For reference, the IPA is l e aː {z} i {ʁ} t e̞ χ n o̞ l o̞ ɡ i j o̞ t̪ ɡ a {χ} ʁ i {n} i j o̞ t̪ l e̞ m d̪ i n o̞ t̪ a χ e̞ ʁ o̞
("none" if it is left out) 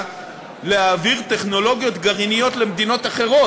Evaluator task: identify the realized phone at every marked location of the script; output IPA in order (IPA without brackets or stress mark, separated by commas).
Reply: v, ʁ, none, n